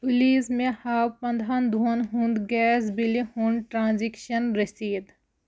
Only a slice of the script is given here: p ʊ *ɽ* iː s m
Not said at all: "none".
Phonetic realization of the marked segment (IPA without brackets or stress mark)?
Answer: l